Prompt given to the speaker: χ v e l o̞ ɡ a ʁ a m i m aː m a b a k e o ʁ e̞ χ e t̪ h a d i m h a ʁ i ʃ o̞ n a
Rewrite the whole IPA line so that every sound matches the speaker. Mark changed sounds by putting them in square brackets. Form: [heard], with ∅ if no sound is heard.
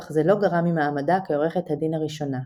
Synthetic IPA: χ [z] e l o̞ ɡ a ʁ a m i m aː m a [d] a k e o ʁ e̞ χ e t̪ h a d i [n] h a ʁ i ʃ o̞ n a